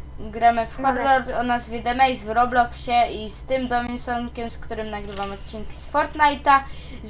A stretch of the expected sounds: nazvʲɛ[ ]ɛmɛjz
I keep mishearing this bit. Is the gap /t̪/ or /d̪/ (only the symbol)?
d̪